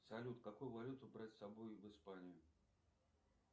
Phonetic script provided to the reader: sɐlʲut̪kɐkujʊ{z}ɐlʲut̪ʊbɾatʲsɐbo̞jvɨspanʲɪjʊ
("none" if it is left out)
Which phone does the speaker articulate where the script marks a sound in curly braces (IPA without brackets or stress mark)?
v